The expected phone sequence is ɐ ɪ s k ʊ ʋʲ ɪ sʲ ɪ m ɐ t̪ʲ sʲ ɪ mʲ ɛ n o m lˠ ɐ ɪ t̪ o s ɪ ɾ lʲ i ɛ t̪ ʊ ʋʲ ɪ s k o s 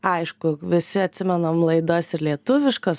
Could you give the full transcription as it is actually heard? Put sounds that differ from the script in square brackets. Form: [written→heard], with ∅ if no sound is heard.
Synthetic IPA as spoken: ɐ ɪ [s→ʃ] k ʊ ʋʲ ɪ sʲ ɪ [m→∅] ɐ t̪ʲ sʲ ɪ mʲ ɛ n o m lˠ ɐ ɪ [t̪→d̪] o s ɪ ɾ lʲ i ɛ t̪ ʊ ʋʲ ɪ [s→ʃ] k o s

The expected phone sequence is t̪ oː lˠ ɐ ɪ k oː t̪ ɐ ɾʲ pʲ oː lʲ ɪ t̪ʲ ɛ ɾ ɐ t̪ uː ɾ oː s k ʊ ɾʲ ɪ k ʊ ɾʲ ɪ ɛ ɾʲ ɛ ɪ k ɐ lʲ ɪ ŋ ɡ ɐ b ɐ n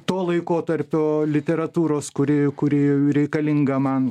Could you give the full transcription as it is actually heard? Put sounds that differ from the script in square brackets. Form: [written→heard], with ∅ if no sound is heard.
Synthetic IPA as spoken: t̪ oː lˠ ɐ ɪ k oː t̪ ɐ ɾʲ pʲ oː lʲ ɪ t̪ʲ ɛ ɾ ɐ t̪ uː ɾ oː s k ʊ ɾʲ ɪ k ʊ ɾʲ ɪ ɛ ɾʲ ɛ ɪ k ɐ lʲ ɪ ŋ ɡ ɐ [b→m] ɐ n

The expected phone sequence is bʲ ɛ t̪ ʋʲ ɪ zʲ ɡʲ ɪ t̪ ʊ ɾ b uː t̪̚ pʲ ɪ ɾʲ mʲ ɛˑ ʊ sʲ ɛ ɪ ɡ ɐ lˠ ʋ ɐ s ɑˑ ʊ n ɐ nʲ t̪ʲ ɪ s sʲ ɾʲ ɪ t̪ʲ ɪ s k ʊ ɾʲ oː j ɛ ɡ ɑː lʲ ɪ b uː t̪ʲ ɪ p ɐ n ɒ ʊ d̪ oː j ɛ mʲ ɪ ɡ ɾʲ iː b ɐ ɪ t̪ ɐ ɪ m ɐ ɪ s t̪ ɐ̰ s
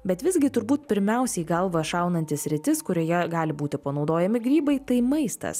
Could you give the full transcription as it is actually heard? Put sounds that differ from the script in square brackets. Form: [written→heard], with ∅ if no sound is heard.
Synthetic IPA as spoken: bʲ ɛ t̪ ʋʲ ɪ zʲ ɡʲ ɪ t̪ ʊ ɾ b uː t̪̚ pʲ ɪ ɾʲ mʲ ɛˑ ʊ sʲ ɛ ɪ ɡ ɐ lˠ ʋ ɐ [s→ʃ] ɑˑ ʊ n ɐ nʲ t̪ʲ ɪ s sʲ ɾʲ ɪ t̪ʲ ɪ s k ʊ ɾʲ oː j ɛ ɡ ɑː lʲ ɪ b uː t̪ʲ ɪ p ɐ n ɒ ʊ d̪ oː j ɛ mʲ ɪ ɡ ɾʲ iː b ɐ ɪ t̪ ɐ ɪ m ɐ ɪ s t̪ ɐ̰ s

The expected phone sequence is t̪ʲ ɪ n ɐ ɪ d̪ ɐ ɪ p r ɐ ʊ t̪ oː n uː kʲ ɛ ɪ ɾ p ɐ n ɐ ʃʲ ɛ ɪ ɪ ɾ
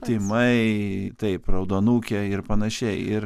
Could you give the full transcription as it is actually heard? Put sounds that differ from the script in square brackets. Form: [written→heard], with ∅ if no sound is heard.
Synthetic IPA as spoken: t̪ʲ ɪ [n→m] ɐ ɪ [d̪→t̪] ɐ ɪ p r ɐ ʊ [t̪→d̪] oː n uː kʲ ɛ ɪ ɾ p ɐ n ɐ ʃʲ ɛ ɪ ɪ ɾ

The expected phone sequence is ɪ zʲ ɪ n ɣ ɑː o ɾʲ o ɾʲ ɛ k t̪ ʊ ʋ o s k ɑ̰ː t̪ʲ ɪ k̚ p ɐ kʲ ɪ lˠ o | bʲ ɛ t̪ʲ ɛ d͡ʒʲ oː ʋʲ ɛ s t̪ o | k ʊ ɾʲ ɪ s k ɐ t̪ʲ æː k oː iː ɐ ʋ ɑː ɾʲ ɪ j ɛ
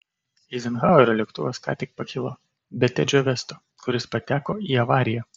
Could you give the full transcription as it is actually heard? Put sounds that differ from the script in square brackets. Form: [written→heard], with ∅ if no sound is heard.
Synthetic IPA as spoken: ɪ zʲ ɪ n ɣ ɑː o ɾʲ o [ɾʲ→lʲ] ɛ k t̪ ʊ ʋ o s k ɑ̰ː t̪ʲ ɪ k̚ p ɐ kʲ ɪ lˠ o | bʲ ɛ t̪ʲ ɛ d͡ʒʲ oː ʋʲ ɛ s t̪ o | k ʊ ɾʲ ɪ s [k→p] ɐ t̪ʲ æː k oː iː ɐ ʋ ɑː ɾʲ ɪ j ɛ

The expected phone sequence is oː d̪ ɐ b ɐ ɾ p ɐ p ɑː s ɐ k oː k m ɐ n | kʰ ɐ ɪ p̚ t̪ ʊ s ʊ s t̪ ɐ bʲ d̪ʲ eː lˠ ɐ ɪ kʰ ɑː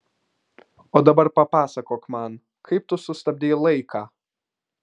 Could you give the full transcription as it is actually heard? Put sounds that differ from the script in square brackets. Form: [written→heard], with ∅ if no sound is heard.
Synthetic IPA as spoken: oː d̪ ɐ b ɐ ɾ p ɐ p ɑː s ɐ k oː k m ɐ n | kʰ ɐ ɪ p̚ t̪ ʊ s ʊ s t̪ ɐ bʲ d̪ʲ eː lˠ ɐ ɪ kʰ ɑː

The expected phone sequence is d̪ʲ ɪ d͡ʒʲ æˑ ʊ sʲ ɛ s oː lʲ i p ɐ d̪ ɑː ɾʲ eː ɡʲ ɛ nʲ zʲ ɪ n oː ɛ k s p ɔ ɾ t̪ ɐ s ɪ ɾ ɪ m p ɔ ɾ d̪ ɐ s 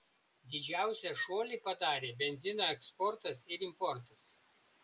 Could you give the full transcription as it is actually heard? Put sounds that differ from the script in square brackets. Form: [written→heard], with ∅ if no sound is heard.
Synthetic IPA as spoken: d̪ʲ ɪ d͡ʒʲ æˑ ʊ sʲ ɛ [s→ʃ] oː lʲ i p ɐ d̪ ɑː ɾʲ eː [ɡʲ→bʲ] ɛ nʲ zʲ ɪ n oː ɛ k s p ɔ ɾ t̪ ɐ s ɪ ɾ ɪ m p ɔ ɾ [d̪→t̪] ɐ s

